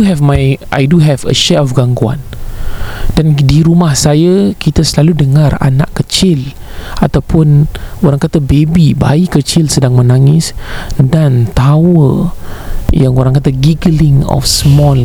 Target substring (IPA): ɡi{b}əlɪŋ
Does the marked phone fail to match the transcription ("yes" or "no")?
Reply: yes